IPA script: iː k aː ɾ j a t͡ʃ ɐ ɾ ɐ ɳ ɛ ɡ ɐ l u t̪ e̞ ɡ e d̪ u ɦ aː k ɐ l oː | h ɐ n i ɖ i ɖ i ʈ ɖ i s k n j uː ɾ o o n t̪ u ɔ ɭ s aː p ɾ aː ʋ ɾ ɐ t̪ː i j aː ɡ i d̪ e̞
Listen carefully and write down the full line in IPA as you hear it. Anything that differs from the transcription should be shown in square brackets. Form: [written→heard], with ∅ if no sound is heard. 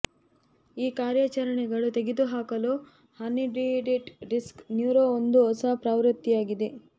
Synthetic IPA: iː k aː ɾ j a t͡ʃ ɐ ɾ ɐ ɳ ɛ ɡ ɐ [l→ɭ] u t̪ e̞ ɡ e d̪ u ɦ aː k ɐ l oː | h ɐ n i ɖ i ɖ i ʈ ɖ i s k n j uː ɾ o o n [t̪→d̪] u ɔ [ɭ→∅] s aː p ɾ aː ʋ ɾ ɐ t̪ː i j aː ɡ i d̪ e̞

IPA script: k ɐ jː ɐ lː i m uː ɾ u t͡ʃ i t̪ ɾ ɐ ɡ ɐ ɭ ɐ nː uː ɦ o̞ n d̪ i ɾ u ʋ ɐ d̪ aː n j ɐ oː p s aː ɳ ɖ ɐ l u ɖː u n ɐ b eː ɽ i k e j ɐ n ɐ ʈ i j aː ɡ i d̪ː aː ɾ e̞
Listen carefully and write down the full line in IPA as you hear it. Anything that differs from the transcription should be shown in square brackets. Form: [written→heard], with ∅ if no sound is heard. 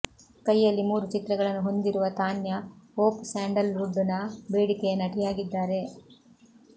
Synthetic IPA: k ɐ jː ɐ lː i m uː ɾ u t͡ʃ i t̪ ɾ ɐ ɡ ɐ ɭ ɐ nː [uː→u] ɦ o̞ n d̪ i ɾ u ʋ ɐ [d̪→t̪] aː n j ɐ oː p s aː ɳ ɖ ɐ l u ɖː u n ɐ b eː ɽ i k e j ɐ n ɐ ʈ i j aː ɡ i d̪ː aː ɾ e̞

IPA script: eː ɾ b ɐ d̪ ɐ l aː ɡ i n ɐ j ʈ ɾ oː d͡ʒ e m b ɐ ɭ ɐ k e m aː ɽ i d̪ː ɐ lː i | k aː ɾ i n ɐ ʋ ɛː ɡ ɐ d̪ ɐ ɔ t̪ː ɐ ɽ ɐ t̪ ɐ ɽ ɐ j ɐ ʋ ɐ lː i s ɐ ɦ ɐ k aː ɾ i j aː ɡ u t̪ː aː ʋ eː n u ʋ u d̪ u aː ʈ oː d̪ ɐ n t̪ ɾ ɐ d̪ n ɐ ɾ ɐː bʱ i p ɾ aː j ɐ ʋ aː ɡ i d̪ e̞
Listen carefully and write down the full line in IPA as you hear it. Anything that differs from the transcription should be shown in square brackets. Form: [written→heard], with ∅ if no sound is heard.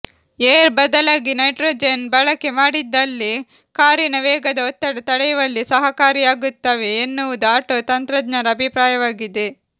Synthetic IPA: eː ɾ b ɐ d̪ ɐ l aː ɡ i n ɐ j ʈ ɾ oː d͡ʒ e [m→n] b ɐ ɭ ɐ k e m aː ɽ i d̪ː ɐ lː i | k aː ɾ i n ɐ ʋ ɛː ɡ ɐ d̪ ɐ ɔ t̪ː ɐ ɽ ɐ t̪ ɐ ɽ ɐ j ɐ ʋ ɐ lː i s ɐ ɦ ɐ k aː ɾ i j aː ɡ u t̪ː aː ʋ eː [n→nː] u ʋ u d̪ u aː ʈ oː [d̪→t̪] ɐ n t̪ ɾ ɐ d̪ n ɐ ɾ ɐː bʱ i p ɾ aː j ɐ ʋ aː ɡ i d̪ e̞

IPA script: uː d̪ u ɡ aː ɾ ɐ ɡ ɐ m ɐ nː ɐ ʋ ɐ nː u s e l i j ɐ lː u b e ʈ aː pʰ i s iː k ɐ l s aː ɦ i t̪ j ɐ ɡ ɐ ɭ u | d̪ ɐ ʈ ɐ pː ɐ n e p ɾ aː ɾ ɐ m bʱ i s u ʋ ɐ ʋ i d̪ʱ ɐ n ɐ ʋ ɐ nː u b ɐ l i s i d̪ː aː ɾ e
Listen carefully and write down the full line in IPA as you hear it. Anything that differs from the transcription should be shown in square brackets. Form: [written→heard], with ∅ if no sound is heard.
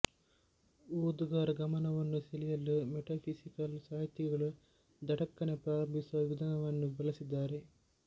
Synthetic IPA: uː d̪ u ɡ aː ɾ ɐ ɡ ɐ m ɐ [nː→n] ɐ ʋ ɐ nː u s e l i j ɐ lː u [b→m] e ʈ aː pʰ i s [iː→i] k ɐ l s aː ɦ i t̪ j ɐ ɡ ɐ ɭ u | d̪ ɐ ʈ ɐ [pː→kː] ɐ n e p ɾ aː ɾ ɐ m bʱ i s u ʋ ɐ ʋ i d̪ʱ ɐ n ɐ ʋ ɐ nː u b ɐ l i s i d̪ː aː ɾ e

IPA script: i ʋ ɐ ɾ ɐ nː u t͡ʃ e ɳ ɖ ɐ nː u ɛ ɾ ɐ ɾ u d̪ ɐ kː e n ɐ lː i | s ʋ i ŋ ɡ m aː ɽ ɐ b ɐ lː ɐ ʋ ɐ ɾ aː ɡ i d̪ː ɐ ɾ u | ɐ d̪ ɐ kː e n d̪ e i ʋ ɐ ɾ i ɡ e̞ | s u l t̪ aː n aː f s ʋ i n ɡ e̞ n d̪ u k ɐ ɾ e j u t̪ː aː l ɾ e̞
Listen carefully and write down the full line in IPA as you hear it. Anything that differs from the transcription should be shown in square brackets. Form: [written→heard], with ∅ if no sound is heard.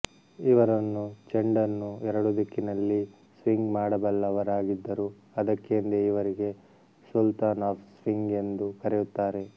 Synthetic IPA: i ʋ ɐ ɾ ɐ nː u t͡ʃ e ɳ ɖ ɐ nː u ɛ ɾ ɐ [ɾ→ɽ] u d̪ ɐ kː [e→i] n ɐ lː i | s ʋ i ŋ ɡ m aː ɽ ɐ b ɐ lː ɐ ʋ ɐ ɾ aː ɡ i d̪ː ɐ ɾ u | ɐ d̪ ɐ kː e n d̪ e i ʋ ɐ ɾ i ɡ e̞ | s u l t̪ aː n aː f s ʋ i [n→ŋ] ɡ e̞ n d̪ u k ɐ ɾ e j u t̪ː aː [l→∅] ɾ e̞

